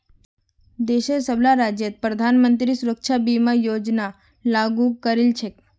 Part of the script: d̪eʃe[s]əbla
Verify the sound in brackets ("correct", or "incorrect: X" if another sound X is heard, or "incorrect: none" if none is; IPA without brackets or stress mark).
correct